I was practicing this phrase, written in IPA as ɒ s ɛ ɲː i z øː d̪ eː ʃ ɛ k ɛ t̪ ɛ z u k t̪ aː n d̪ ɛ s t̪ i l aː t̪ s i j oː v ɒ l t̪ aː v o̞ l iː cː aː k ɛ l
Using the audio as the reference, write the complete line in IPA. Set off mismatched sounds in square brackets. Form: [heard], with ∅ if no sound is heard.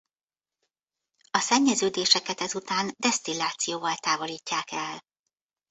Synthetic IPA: ɒ s ɛ ɲː [ɛ] z øː d̪ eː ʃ ɛ k ɛ t̪ ɛ z u [∅] t̪ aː n d̪ ɛ s t̪ i l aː t̪ s i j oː v ɒ l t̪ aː v o̞ l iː cː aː k ɛ l